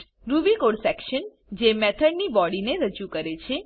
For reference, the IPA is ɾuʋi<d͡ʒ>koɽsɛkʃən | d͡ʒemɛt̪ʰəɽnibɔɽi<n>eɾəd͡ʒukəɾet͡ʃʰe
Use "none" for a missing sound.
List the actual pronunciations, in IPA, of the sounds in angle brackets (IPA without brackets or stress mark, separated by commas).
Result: none, n